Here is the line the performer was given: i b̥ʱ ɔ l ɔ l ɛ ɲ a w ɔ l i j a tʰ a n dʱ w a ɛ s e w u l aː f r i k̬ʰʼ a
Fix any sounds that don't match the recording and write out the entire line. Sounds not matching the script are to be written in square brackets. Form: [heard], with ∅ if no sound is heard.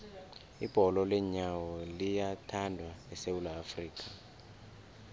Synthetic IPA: i b̥ʱ ɔ l ɔ l ɛ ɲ a w ɔ l i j a tʰ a n dʱ w a ɛ s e w u l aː f r [iː] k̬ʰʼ a